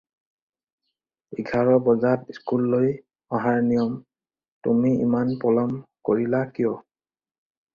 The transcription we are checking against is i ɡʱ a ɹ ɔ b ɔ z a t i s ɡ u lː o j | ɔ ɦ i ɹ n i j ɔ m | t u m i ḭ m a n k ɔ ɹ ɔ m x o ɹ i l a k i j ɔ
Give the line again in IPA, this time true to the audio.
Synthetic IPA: i ɡʱ a ɹ ɔ b ɔ z a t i s k u lː o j | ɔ ɦ a ɹ n i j ɔ m | t u m i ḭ m a n p ɔ l ɔ m k o ɹ i l a k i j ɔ